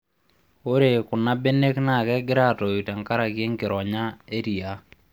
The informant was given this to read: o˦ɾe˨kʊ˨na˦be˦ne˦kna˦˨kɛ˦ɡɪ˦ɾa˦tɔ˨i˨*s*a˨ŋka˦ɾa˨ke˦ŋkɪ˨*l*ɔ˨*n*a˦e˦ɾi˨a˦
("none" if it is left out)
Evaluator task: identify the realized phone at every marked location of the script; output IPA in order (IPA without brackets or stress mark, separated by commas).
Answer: t, ɾ, ɲ